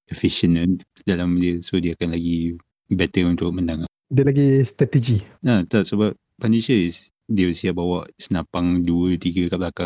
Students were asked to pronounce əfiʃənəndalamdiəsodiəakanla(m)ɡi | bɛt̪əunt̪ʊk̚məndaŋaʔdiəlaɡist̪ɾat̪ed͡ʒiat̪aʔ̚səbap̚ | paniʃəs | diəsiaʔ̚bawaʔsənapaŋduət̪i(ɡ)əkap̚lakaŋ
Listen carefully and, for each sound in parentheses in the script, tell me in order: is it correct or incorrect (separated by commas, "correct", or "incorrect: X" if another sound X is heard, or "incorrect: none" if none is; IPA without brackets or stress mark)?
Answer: incorrect: none, correct